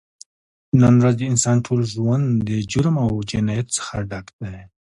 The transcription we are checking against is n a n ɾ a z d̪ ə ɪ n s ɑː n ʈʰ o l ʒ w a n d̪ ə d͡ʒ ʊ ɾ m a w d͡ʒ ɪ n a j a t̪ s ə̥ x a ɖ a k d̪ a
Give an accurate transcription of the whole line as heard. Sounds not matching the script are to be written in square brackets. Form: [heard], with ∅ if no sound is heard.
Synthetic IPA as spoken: n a n ɾ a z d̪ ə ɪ n s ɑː n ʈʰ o l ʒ w a n d̪ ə d͡ʒ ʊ ɾ m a w d͡ʒ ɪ n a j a t̪ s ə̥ x a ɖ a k d̪ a

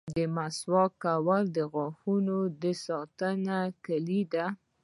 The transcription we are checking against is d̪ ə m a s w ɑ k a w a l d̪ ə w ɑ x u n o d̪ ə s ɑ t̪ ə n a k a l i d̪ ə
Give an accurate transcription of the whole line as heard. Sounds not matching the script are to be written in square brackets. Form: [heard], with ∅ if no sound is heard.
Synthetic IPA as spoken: d̪ ə m a s w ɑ k a w a l d̪ ə [ɣ] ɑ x u n o d̪ ə s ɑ t̪ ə n a k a l i d̪ [a]

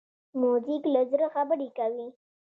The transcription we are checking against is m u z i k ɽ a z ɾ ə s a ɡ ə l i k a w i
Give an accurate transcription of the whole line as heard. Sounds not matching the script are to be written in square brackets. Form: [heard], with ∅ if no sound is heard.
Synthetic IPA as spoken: m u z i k [l] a z ɾ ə [x] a [b] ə [ɾ] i k a w i

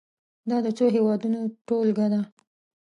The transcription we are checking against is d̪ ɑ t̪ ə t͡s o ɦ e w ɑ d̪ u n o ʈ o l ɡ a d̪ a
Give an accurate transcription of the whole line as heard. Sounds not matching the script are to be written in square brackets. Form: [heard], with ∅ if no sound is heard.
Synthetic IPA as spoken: d̪ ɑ [d̪] ə t͡s o ɦ e w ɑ d̪ u n o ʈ o l ɡ a d̪ a

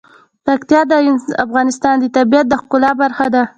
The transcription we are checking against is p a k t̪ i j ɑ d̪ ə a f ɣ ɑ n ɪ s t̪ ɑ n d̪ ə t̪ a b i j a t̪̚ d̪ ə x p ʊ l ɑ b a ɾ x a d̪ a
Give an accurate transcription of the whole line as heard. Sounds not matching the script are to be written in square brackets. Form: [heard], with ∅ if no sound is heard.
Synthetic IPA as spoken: p a k t̪ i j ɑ d̪ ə a f ɣ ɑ n ɪ s t̪ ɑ n d̪ ə t̪ a b i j a t̪̚ d̪ ə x [k] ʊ l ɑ b a ɾ x a d̪ a

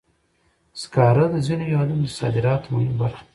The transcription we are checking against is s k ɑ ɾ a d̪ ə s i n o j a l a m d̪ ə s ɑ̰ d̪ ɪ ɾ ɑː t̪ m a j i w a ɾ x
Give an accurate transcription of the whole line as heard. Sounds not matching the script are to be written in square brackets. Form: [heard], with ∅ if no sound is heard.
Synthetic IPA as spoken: s k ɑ ɾ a d̪ ə [z] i n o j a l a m d̪ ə s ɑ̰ d̪ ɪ ɾ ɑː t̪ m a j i [b] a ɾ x

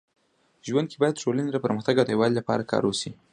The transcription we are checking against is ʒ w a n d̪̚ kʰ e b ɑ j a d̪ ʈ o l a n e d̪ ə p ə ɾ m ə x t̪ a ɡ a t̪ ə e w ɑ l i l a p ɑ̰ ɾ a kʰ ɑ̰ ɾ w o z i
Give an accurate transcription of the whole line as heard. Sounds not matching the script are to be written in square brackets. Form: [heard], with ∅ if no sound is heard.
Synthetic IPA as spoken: ʒ w a n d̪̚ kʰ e b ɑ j a d̪ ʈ o l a n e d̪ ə p ə ɾ m ə x t̪ a ɡ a [d̪] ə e w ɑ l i l a p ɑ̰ ɾ a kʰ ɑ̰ ɾ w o [s] i

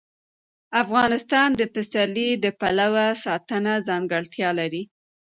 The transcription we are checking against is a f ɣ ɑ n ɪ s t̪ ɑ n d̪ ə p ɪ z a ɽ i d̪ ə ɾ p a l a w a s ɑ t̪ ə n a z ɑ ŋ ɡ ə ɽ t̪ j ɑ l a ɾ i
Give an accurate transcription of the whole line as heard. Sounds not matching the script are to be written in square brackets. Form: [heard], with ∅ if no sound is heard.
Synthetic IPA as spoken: a f ɣ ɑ n ɪ s t̪ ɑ n d̪ ə p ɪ [s] a [l] i d̪ ə [∅] p a l a w a s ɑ t̪ ə n a z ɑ ŋ ɡ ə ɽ t̪ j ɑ l a ɾ i

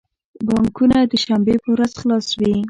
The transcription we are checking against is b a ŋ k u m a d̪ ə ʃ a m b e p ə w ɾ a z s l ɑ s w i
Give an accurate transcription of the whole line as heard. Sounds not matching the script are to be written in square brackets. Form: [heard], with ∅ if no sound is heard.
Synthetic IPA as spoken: b [ɑ] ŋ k u [n] a d̪ ə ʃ a m b e p ə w ɾ a z [x] l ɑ s w i

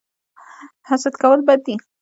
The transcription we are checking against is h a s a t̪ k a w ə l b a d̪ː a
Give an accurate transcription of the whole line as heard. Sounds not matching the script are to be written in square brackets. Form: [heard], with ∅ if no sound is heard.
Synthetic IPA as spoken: h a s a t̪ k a w ə l b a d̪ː [i]

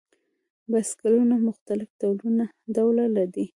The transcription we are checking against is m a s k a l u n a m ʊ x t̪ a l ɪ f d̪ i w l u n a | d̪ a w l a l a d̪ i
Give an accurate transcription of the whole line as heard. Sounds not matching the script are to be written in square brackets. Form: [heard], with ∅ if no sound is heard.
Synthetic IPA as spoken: [b] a s k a l u n a m ʊ x t̪ a l ɪ f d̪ [a] w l u n a | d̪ a w l a l a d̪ i

